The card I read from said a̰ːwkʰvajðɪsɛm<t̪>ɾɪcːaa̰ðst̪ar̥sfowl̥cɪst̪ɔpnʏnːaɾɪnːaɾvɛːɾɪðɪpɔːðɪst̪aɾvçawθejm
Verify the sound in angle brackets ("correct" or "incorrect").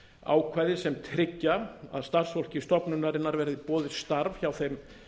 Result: incorrect